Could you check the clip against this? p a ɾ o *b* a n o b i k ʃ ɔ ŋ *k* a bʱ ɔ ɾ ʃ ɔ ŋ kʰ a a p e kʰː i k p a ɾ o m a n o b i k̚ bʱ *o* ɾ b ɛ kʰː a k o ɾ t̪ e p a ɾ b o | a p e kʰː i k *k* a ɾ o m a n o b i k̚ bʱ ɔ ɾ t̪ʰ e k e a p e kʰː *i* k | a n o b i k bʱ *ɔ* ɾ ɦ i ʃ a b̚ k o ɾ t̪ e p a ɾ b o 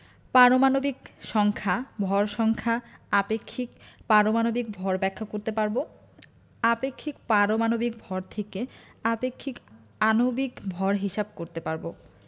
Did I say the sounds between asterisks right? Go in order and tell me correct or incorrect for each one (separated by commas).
incorrect, incorrect, incorrect, incorrect, correct, correct